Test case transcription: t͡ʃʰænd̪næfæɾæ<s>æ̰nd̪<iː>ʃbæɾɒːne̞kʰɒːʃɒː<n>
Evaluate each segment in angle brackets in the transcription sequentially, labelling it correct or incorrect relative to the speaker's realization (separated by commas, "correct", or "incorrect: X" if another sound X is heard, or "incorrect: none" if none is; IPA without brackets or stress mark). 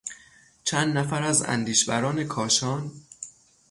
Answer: incorrect: z, correct, correct